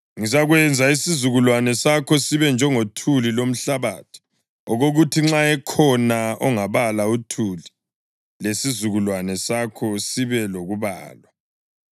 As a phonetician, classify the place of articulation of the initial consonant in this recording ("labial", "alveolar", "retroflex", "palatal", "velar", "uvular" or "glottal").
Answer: velar